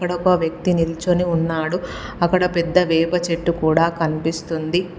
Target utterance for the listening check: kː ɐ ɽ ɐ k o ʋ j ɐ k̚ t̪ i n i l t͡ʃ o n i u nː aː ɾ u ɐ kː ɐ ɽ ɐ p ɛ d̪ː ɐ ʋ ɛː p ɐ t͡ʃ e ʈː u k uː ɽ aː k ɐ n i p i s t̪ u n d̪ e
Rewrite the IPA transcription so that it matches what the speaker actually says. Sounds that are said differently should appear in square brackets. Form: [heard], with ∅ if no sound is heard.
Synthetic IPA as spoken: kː ɐ ɽ ɐ k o ʋ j ɐ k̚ t̪ i n i l t͡ʃ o n i u nː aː [ɽ] u ɐ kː ɐ ɽ ɐ p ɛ d̪ː ɐ ʋ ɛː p ɐ t͡ʃ e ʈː u k uː ɽ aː k ɐ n i p i s t̪ u n d̪ [i]